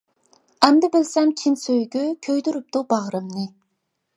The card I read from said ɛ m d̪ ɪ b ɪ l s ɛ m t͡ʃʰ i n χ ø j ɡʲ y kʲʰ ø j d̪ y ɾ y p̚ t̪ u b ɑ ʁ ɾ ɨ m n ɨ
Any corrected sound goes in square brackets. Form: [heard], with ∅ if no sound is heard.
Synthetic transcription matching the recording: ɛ m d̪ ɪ b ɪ l s ɛ m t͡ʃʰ i n [s] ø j ɡʲ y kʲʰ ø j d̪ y ɾ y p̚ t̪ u b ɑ ʁ ɾ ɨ m n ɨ